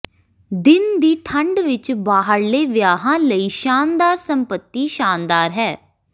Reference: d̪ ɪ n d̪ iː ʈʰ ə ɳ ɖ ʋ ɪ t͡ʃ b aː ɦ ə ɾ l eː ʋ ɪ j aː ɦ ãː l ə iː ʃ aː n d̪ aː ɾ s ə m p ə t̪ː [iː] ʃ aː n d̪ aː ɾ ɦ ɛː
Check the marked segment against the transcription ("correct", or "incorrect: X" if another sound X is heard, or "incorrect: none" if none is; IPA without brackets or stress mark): correct